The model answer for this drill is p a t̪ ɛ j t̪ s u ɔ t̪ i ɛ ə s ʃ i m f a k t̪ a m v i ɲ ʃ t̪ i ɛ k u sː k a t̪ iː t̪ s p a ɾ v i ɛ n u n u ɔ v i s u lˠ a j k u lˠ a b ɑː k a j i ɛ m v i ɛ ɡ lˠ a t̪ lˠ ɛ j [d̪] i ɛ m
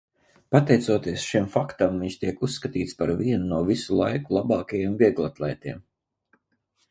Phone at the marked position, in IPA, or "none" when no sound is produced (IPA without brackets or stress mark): t̪